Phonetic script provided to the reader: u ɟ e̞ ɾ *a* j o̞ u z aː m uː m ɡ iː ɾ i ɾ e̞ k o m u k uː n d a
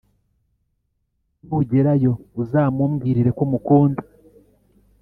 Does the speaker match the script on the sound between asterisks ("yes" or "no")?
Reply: yes